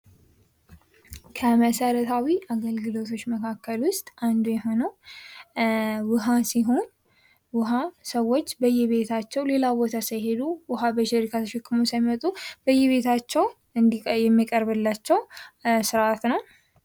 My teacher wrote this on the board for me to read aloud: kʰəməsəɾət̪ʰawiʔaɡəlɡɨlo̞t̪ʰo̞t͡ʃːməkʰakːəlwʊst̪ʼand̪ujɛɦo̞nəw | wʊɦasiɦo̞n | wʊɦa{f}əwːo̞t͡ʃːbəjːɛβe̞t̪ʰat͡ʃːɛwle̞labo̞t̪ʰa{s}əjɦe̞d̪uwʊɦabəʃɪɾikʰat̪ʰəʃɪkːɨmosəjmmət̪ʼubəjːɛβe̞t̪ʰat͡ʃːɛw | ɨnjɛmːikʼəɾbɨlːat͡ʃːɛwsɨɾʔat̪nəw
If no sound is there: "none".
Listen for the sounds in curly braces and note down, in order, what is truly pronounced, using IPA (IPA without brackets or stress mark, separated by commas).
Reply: s, s